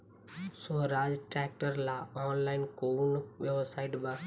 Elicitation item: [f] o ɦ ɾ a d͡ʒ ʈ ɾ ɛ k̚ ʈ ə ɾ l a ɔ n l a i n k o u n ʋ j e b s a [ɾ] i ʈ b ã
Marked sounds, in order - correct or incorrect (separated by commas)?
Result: incorrect, incorrect